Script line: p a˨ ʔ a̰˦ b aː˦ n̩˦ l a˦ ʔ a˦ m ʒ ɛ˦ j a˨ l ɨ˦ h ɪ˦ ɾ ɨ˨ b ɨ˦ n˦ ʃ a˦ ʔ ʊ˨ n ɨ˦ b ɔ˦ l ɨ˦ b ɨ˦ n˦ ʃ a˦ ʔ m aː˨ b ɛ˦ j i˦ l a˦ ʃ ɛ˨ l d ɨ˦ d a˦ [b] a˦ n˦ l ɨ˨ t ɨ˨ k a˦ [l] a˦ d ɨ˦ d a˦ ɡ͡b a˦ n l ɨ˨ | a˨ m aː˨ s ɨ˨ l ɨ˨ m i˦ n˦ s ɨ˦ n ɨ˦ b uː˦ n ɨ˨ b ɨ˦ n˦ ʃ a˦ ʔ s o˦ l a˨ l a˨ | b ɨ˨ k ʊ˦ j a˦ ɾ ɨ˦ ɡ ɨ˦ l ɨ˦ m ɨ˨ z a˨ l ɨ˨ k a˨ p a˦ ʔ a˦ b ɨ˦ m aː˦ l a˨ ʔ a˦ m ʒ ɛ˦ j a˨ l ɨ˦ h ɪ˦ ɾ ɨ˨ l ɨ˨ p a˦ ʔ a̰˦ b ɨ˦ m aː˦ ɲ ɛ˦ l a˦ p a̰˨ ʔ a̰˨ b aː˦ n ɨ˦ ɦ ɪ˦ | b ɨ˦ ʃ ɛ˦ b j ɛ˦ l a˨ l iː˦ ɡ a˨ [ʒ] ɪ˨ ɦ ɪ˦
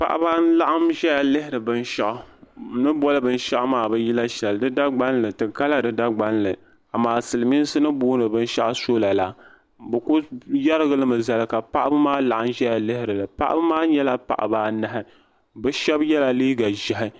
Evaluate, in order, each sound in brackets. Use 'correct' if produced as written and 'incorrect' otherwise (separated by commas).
incorrect, correct, correct